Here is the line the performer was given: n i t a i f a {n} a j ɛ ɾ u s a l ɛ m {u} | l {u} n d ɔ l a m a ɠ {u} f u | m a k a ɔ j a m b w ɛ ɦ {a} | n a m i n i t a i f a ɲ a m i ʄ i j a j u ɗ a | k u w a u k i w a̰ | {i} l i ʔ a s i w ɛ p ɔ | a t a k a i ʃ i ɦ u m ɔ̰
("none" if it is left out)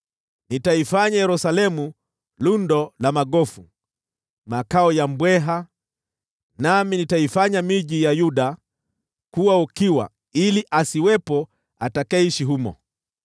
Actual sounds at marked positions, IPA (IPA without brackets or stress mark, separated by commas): ɲ, u, u, ɔ, a, i